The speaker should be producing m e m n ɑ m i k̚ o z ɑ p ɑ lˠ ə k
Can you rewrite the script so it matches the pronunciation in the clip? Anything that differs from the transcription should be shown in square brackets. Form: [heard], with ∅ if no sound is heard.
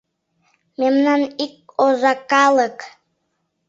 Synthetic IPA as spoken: m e m n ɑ [n] i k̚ o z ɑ [k] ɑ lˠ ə k

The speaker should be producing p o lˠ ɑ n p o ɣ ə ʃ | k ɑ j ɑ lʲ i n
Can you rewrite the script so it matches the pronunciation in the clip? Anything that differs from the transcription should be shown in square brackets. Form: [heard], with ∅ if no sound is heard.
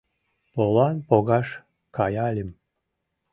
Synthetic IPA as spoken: p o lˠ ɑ n p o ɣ [ɑ] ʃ | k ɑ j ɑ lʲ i [m]

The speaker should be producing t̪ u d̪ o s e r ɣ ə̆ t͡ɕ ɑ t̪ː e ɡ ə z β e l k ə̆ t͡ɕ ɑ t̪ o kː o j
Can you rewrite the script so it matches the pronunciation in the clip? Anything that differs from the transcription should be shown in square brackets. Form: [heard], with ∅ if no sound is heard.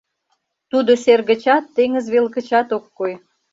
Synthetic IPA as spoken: t̪ u d̪ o s e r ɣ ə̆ t͡ɕ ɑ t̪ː e [ŋ] ə z β e l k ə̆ t͡ɕ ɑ t̪ o kː o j

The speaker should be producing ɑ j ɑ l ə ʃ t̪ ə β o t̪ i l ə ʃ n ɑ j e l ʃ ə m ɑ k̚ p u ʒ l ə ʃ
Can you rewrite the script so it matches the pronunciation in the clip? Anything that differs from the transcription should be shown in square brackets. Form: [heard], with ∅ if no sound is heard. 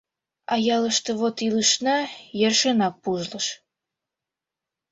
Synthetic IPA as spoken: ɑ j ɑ l ə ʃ t̪ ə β o t̪ i l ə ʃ n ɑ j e [r] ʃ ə [n] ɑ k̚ p u ʒ l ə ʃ

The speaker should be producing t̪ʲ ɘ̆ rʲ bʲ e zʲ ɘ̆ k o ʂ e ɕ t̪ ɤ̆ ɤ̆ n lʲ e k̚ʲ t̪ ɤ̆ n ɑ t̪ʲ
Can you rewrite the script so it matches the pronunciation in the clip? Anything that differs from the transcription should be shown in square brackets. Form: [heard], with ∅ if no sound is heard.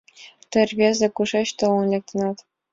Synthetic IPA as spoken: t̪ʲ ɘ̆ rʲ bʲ e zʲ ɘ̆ k [u] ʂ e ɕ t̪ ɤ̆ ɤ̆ n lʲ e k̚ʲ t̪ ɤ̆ n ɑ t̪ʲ

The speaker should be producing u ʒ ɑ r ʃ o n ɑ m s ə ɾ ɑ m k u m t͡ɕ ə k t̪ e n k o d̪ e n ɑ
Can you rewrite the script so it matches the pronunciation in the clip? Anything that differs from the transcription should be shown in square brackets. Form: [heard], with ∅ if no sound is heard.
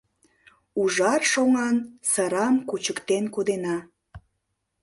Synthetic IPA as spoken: u ʒ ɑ r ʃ o [ŋ] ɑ [n] s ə ɾ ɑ m k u [∅] t͡ɕ ə k t̪ e n k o d̪ e n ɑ

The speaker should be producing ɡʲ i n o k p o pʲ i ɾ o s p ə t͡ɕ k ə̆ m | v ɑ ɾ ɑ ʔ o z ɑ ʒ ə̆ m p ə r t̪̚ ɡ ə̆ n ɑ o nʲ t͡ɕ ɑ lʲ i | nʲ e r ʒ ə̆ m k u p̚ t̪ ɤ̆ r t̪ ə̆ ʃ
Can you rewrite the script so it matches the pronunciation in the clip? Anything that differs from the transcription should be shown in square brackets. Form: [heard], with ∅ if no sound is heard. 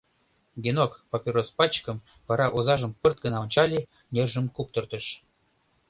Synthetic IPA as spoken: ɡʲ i n o k p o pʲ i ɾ o s p [ɑ] t͡ɕ k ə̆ m | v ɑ ɾ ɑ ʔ o z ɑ ʒ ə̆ m p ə r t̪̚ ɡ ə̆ n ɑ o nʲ t͡ɕ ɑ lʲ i | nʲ e r ʒ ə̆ m k u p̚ t̪ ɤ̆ r t̪ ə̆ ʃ

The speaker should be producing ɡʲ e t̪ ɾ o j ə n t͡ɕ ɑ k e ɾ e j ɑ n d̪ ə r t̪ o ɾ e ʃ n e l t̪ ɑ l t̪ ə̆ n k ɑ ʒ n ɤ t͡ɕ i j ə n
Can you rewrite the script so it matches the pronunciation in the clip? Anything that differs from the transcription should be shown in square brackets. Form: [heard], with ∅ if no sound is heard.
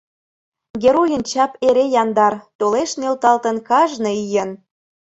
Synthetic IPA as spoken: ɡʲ e [∅] ɾ o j ə n t͡ɕ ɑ [p] e ɾ e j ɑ n d̪ [ɑ] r t̪ o [l] e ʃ n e l t̪ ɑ l t̪ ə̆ n k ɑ ʒ n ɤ [∅] i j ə n

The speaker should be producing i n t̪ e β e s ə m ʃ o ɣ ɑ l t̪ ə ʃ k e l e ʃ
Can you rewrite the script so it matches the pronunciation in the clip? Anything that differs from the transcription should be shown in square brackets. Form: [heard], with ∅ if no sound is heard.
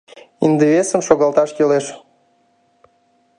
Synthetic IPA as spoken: i n [d̪] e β e s ə m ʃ o ɣ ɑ l t̪ [ɑ] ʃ k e l e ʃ

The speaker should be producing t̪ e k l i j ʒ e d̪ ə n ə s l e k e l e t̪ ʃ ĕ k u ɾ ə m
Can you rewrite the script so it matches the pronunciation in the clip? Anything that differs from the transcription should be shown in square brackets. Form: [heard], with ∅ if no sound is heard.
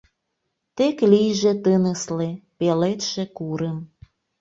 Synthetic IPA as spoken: t̪ e k l i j ʒ e [t̪] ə n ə s l e [p] e l e t̪ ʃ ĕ k u ɾ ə m

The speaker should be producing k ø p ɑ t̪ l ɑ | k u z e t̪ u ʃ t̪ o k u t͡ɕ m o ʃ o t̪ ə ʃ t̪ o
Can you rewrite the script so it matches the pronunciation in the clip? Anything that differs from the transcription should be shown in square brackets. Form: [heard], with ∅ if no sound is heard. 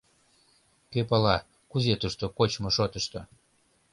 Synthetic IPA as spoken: k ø p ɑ [∅] l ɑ | k u z e t̪ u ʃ t̪ o k [o] t͡ɕ m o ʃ o t̪ ə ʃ t̪ o

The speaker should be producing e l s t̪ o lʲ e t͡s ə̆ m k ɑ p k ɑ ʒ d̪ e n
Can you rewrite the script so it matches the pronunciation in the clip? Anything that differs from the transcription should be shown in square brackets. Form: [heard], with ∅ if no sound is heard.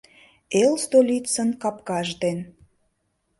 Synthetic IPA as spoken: e l s t̪ o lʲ [i] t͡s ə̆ [n] k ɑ p k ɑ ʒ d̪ e n

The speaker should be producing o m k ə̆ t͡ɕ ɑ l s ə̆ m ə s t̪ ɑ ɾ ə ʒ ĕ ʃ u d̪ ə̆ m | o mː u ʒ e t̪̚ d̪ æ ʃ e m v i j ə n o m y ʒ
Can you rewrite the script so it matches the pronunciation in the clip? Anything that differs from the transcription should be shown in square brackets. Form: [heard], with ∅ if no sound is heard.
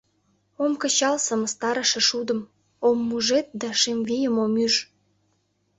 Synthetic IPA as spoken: o m k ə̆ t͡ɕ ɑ l s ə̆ m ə s t̪ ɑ ɾ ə [ʃ] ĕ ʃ u d̪ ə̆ m | o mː u ʒ e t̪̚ d̪ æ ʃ e m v i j ə [m] o m y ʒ

